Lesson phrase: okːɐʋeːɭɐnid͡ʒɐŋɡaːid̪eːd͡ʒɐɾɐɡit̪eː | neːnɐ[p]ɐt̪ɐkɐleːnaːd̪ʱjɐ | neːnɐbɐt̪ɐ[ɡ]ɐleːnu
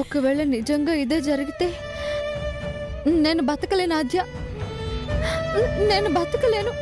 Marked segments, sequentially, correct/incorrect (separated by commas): incorrect, incorrect